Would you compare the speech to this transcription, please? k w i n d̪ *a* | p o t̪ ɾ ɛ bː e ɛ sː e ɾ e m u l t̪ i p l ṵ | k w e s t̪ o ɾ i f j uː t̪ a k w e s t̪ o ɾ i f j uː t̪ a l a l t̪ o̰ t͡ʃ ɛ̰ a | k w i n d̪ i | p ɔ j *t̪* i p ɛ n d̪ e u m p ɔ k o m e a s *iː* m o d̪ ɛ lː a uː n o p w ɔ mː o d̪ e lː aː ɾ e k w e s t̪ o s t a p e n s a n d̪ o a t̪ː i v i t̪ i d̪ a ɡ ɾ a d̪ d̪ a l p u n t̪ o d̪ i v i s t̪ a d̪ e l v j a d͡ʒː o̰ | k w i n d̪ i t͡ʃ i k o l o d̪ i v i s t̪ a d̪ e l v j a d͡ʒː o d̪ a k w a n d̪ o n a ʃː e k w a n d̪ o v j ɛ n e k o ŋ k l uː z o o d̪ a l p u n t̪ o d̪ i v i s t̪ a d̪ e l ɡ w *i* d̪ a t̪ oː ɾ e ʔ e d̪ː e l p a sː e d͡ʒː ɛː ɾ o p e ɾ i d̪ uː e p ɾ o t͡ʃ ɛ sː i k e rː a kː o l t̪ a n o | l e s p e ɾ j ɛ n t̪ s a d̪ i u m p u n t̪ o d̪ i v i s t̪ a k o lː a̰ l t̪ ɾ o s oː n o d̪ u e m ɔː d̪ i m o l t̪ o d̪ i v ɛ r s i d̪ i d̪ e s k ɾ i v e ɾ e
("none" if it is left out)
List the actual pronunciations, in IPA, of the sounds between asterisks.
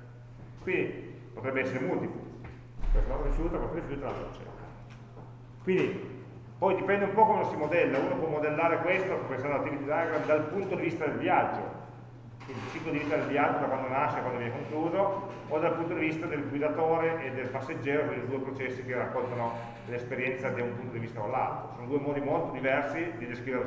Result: i, d̪, i, i

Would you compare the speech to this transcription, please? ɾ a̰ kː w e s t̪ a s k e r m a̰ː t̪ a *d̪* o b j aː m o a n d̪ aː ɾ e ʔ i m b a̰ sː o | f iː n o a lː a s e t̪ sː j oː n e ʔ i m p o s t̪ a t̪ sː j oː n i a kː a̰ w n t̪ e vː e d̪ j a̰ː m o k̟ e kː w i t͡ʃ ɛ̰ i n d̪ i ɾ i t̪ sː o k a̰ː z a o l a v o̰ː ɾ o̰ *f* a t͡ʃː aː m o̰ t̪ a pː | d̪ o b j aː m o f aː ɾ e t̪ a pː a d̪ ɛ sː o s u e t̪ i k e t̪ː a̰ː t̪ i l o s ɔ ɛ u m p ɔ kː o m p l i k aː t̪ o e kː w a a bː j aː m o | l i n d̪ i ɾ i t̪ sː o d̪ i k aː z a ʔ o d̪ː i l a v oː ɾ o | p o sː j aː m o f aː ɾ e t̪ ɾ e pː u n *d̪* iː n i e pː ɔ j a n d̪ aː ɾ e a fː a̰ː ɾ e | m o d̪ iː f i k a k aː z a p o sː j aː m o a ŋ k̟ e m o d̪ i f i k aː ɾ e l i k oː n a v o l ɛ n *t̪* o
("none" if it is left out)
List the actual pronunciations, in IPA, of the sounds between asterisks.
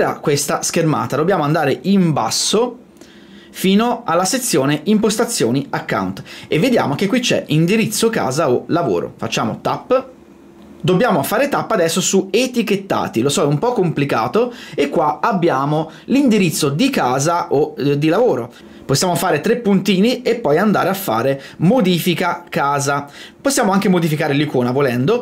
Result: d̪, f, t̪, d̪

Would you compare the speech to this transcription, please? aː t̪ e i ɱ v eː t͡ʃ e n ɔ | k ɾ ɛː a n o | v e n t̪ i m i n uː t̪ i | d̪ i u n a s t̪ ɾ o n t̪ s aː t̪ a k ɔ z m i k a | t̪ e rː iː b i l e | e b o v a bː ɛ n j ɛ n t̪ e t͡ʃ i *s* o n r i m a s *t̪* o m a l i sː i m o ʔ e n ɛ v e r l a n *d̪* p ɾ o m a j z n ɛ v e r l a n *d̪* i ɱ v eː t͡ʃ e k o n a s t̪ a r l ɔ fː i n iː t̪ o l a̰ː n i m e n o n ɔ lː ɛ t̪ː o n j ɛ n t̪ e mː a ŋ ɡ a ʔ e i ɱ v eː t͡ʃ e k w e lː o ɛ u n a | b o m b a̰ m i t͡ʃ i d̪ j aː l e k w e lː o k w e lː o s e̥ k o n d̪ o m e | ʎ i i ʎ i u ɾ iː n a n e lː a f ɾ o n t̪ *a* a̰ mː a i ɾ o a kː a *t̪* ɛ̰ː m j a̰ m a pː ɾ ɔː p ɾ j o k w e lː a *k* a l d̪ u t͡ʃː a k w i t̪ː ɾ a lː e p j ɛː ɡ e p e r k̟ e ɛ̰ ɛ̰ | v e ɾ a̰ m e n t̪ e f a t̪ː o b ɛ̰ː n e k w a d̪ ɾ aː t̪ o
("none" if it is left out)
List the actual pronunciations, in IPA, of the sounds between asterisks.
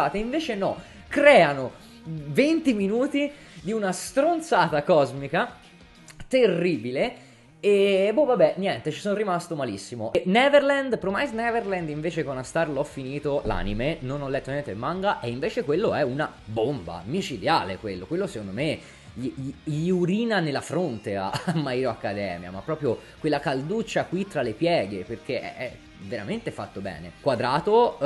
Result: s, t̪, d̪, d̪, e, d̪, k

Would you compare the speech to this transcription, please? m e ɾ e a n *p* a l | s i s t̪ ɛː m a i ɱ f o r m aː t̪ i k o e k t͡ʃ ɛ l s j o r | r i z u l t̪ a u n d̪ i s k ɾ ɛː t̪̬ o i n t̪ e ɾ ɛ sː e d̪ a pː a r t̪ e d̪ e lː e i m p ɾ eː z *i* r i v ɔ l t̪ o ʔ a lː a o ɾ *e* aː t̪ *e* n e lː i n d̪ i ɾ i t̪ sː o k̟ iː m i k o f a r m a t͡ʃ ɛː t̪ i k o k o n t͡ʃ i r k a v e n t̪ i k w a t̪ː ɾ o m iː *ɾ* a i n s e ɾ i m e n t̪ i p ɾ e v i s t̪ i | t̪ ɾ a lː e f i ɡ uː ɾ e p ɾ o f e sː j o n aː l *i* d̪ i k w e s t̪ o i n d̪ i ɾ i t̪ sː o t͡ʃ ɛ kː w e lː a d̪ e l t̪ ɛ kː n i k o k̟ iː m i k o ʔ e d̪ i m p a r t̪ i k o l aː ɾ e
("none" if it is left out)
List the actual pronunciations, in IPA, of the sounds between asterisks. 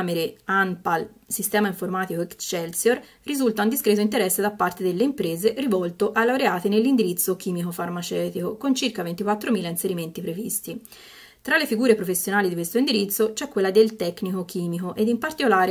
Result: p, e, e, e, l, i

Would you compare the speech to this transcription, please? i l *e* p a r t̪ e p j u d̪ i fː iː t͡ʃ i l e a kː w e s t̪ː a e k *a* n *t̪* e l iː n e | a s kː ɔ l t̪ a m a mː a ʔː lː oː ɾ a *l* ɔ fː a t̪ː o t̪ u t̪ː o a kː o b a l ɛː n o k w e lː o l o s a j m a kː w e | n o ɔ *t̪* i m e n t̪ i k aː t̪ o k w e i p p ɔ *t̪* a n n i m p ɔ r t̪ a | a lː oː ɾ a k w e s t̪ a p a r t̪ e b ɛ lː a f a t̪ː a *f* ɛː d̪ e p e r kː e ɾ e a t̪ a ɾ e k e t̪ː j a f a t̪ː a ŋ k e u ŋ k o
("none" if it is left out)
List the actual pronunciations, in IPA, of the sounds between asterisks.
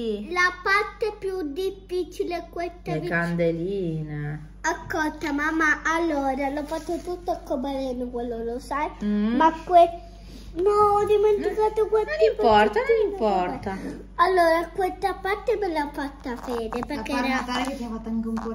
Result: a, a, d̪, l, d̪, t̪, f

